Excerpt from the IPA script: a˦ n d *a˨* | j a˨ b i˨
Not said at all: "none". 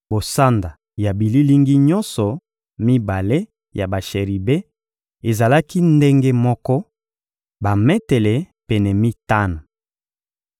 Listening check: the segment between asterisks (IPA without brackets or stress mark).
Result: a˨